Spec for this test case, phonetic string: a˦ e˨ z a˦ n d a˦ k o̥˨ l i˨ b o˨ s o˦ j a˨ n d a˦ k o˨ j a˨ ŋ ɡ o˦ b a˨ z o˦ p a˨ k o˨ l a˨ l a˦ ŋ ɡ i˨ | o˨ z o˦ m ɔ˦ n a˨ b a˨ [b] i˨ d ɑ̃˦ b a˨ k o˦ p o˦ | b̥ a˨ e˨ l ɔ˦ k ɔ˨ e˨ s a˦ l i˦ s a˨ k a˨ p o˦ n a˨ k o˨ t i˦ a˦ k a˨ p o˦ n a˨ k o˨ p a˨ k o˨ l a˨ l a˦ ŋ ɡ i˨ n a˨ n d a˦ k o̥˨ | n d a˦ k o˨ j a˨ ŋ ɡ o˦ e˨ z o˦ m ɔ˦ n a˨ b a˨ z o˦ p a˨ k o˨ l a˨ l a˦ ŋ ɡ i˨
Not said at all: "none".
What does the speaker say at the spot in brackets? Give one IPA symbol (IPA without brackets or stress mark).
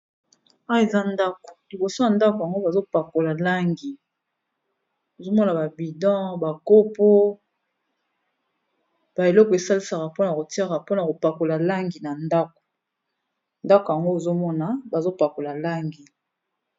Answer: b